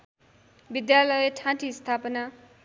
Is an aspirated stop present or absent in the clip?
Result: present